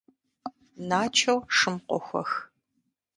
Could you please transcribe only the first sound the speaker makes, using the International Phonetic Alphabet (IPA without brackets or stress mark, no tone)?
n